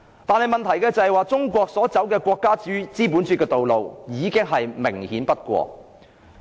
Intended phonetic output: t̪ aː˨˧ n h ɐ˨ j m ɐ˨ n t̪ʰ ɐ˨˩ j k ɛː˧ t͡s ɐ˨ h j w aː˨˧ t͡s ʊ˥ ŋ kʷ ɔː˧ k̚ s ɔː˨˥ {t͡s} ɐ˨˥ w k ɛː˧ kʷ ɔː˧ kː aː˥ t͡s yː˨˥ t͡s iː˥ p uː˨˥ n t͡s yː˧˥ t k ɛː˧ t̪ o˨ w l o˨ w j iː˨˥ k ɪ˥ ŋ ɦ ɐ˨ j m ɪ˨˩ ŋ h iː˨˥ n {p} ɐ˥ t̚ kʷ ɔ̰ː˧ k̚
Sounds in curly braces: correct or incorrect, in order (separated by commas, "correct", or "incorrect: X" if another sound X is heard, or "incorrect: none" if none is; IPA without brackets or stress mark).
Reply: correct, correct